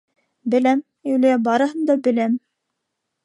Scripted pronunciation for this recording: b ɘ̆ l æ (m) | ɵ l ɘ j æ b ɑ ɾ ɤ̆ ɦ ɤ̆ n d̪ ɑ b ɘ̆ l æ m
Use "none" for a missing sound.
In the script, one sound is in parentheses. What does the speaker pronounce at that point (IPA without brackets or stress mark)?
m